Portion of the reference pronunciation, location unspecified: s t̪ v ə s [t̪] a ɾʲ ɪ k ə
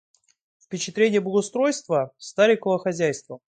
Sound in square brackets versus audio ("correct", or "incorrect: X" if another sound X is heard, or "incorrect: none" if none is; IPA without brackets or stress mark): correct